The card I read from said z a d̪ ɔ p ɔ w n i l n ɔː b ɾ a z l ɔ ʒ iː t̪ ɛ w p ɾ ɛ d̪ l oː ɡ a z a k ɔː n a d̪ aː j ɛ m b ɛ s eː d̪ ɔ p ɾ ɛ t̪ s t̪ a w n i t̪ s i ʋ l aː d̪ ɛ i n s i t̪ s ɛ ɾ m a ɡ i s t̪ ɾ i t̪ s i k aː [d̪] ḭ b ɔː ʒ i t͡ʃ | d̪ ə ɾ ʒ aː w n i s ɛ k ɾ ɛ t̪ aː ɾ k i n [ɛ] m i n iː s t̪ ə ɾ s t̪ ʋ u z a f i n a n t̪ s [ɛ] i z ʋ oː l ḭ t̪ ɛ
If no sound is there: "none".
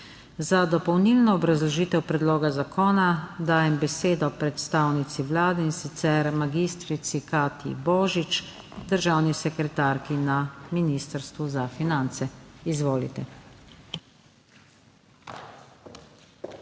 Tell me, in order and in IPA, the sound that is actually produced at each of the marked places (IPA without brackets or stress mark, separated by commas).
t̪, a, ɛ